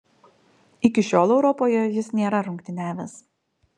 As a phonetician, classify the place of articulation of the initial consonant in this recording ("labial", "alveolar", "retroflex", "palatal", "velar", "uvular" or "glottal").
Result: velar